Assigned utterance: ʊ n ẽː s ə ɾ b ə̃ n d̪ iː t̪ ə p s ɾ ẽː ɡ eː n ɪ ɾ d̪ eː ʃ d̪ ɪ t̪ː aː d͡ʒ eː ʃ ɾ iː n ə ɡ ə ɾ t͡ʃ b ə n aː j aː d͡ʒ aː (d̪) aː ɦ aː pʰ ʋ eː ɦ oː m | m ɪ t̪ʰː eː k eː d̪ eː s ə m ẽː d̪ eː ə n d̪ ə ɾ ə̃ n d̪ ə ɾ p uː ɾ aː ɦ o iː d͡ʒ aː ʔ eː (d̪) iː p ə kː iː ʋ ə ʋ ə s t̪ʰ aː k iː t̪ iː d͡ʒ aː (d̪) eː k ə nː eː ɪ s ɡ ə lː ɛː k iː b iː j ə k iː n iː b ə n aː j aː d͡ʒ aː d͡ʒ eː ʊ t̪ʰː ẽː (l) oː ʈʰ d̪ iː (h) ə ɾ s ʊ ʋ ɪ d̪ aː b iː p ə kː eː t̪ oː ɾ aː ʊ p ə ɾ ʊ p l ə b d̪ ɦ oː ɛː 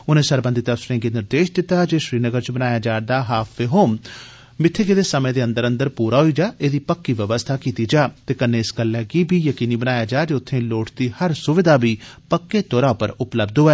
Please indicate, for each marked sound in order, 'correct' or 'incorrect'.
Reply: correct, correct, incorrect: t̪, correct, correct

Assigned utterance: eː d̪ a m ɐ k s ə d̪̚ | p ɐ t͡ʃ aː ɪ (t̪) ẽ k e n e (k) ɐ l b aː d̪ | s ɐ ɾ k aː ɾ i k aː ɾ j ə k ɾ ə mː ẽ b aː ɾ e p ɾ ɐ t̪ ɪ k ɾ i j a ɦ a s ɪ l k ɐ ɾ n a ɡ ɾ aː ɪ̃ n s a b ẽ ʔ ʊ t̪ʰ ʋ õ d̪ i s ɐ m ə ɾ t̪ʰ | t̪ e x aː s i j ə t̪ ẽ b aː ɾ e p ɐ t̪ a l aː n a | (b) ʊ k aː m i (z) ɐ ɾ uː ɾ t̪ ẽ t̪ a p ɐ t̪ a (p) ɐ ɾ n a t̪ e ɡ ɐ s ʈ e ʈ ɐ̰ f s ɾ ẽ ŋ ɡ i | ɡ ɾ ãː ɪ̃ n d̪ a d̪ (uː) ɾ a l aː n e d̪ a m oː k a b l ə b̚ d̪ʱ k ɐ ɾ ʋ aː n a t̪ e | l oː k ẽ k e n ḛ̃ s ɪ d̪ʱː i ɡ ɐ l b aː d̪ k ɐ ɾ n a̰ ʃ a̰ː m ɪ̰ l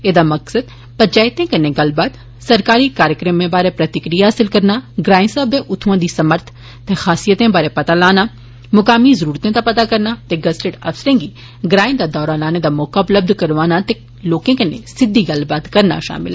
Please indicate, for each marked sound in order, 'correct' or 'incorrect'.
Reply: correct, incorrect: ɡ, incorrect: m, correct, incorrect: k, incorrect: ɔː

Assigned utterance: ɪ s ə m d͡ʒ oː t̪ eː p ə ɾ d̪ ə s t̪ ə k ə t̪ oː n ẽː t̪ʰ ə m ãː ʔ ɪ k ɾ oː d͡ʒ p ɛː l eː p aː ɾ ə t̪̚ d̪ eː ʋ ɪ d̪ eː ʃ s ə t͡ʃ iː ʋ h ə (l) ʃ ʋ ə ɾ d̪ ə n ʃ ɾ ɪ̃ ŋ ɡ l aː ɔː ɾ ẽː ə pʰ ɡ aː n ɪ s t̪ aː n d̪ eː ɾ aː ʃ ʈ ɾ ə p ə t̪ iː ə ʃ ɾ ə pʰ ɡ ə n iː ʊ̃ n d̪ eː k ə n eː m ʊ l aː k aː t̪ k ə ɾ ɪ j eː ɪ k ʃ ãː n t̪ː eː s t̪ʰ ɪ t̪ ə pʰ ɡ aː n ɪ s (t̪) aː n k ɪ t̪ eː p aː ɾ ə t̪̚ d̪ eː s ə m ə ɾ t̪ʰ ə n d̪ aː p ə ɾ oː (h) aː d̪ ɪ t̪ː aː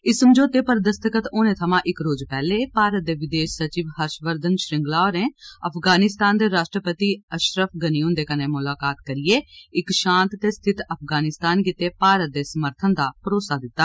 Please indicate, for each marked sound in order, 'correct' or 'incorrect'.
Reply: incorrect: ɾ, correct, incorrect: s

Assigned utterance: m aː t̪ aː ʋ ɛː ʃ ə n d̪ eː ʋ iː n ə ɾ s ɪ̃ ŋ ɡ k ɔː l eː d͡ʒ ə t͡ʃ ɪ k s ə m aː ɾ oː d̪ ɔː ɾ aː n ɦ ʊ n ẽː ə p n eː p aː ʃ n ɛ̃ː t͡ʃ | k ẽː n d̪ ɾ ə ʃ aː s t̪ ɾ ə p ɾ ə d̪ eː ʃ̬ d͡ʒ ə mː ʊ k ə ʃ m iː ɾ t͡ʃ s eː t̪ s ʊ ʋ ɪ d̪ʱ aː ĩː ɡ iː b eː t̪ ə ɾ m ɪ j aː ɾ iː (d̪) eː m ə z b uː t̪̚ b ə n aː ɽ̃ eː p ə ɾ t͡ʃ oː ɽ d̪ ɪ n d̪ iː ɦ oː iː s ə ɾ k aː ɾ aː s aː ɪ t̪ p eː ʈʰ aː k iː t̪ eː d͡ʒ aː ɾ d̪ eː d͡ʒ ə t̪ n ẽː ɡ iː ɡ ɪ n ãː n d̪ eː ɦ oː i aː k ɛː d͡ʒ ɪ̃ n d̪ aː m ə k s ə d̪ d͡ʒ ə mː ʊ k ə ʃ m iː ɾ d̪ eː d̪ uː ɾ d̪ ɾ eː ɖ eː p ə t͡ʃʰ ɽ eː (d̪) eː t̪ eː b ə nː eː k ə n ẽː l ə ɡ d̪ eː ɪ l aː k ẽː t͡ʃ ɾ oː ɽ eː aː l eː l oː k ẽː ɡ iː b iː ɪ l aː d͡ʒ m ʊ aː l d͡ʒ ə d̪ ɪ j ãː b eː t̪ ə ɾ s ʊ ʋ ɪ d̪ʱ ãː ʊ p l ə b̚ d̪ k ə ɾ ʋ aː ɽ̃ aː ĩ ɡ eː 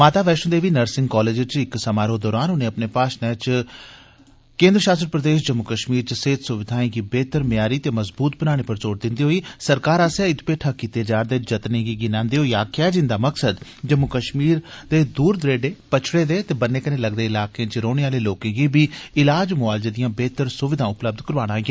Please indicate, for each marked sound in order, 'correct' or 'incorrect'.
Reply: incorrect: t̪, correct

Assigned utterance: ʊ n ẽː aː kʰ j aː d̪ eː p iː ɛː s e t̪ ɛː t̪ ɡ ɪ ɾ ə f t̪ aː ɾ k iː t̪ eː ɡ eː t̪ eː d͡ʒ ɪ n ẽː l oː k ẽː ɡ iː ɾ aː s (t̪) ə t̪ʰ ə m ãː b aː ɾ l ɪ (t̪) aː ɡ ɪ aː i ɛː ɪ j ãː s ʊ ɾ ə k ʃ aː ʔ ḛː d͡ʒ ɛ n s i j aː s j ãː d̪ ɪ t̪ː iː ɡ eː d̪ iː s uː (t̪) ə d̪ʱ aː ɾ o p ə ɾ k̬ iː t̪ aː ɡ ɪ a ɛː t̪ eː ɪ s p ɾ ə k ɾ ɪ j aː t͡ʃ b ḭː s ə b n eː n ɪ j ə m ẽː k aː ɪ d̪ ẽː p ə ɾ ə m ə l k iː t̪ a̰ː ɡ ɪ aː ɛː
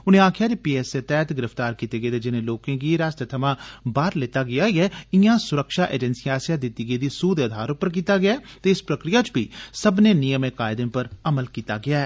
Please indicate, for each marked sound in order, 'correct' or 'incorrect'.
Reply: correct, correct, incorrect: d̪

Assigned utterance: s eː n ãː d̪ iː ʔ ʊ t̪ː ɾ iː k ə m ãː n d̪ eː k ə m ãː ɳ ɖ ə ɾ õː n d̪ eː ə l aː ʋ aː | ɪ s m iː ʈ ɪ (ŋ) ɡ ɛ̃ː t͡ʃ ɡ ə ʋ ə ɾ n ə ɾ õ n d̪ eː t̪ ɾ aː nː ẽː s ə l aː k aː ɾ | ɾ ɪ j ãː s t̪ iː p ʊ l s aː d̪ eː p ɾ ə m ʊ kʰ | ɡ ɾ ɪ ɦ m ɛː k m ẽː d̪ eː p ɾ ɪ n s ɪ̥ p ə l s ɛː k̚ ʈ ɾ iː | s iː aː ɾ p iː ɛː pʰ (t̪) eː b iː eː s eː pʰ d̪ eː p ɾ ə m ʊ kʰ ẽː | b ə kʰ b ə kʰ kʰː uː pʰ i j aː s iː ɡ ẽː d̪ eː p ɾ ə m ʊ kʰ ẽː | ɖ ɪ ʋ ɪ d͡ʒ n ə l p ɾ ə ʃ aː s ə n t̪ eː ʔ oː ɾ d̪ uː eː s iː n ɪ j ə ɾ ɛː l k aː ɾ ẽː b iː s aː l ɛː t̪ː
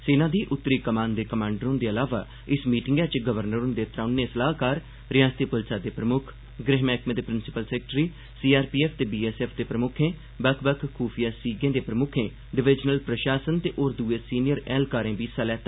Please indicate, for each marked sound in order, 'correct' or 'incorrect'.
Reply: correct, correct

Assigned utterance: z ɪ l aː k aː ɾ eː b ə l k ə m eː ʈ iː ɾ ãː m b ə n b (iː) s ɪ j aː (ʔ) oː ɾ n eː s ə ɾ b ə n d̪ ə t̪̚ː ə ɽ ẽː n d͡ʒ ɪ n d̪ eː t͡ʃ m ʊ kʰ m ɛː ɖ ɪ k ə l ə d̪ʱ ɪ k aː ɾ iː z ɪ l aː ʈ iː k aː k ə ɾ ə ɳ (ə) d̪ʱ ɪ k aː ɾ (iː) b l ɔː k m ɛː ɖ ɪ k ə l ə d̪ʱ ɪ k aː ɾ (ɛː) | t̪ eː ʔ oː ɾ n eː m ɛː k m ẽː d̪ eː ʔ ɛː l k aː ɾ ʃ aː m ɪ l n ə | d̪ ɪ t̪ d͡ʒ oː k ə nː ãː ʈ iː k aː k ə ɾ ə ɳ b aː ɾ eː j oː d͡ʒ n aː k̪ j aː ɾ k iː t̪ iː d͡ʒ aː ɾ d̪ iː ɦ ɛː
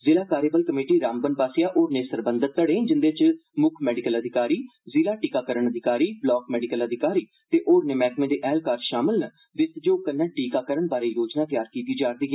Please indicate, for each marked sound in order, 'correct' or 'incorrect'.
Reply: incorrect: aː, correct, correct, correct, incorrect: iː

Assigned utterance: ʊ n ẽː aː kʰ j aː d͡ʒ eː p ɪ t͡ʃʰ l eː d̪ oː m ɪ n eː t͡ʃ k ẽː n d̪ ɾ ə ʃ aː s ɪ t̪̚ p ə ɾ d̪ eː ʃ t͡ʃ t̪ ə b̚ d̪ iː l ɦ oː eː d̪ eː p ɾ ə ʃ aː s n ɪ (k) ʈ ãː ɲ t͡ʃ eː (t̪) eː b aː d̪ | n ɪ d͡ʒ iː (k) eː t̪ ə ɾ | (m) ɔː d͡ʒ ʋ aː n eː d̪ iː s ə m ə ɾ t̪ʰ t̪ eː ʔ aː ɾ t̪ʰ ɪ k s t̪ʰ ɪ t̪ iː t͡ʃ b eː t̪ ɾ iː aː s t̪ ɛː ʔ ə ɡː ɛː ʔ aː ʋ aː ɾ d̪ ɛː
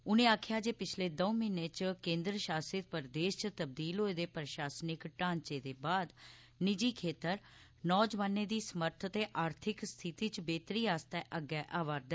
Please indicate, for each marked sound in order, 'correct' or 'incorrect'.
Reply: correct, incorrect: d̪, incorrect: kʰ, incorrect: n

